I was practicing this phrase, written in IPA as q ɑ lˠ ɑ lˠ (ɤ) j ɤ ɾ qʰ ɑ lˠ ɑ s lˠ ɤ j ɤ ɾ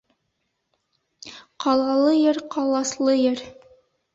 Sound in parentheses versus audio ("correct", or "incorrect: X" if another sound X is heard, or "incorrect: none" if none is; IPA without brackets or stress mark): correct